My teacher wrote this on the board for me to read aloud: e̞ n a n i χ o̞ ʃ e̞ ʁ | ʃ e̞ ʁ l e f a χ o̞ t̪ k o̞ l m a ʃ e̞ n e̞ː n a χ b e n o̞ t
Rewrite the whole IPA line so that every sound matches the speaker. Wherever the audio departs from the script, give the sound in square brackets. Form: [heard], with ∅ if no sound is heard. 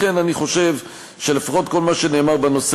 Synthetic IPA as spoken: e̞ n a n i χ o̞ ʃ e̞ [v] | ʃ e̞ [∅] l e f a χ o̞ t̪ k o̞ l m a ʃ e̞ n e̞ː [m] a [ʁ] b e n o̞ [s]